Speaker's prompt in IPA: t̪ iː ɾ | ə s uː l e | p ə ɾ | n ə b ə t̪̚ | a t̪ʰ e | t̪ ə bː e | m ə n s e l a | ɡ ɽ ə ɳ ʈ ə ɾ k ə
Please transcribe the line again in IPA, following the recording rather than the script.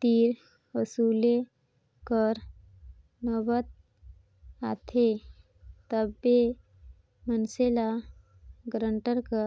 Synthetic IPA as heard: t̪ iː ɾ | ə s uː l e | k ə ɾ | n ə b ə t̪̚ | a t̪ʰ e | t̪ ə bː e | m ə n s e l a | ɡ ɾ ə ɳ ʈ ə ɾ k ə